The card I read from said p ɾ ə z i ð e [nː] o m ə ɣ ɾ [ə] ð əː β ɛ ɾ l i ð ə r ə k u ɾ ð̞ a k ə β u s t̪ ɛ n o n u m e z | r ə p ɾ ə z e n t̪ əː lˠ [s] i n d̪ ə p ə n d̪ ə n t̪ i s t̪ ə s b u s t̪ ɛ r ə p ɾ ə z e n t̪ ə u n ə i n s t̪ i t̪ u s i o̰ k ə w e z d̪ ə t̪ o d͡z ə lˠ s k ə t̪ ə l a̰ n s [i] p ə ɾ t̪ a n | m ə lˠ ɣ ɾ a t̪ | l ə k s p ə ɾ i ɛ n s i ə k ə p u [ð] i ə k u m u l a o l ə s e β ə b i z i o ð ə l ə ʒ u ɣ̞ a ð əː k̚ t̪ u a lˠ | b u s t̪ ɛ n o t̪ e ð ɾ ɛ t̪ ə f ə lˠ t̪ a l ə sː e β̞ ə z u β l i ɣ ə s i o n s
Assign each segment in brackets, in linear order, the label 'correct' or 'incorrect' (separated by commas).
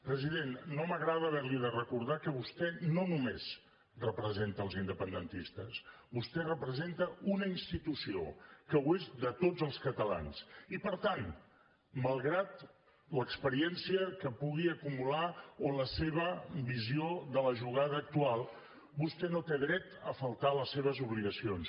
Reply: correct, incorrect, incorrect, correct, incorrect